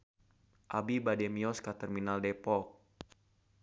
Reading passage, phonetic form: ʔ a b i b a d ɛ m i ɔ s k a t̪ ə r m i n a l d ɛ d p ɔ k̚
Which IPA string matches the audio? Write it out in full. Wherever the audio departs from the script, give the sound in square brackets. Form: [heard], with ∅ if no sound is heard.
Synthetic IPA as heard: ʔ a b i b a d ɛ m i ɔ s k a t̪ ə r m i n a l d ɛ [∅] p ɔ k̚